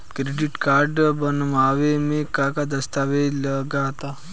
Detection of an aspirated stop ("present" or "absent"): absent